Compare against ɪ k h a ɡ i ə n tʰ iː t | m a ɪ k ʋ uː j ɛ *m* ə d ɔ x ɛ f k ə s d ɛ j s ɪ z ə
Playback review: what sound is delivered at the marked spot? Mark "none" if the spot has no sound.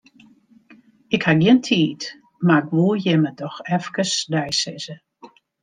m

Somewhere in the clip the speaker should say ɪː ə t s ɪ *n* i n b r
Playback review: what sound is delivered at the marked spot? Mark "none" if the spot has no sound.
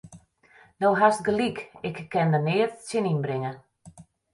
n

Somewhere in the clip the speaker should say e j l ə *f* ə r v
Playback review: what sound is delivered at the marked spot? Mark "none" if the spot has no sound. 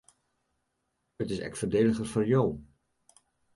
χ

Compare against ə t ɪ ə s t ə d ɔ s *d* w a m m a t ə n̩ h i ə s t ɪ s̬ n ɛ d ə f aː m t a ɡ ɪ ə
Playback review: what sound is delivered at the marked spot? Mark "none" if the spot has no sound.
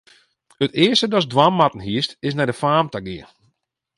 d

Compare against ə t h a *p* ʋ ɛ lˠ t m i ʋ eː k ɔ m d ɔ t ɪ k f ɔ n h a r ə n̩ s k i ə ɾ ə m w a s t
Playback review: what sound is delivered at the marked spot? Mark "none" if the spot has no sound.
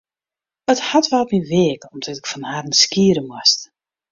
t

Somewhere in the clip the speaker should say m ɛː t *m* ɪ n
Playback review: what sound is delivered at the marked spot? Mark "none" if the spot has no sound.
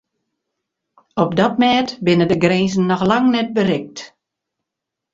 b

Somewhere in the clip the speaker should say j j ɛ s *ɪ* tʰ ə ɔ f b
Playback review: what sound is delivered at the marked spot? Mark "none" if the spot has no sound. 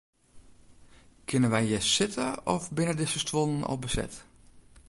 ɪ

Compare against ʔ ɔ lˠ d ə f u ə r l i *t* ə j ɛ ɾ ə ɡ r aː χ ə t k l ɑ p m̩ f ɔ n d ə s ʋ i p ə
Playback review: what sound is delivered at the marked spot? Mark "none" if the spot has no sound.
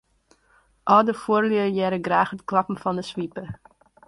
none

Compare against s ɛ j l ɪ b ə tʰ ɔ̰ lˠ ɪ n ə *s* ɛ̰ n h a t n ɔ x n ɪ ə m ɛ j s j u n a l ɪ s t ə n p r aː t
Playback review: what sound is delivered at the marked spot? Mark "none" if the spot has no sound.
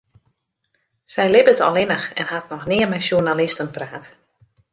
x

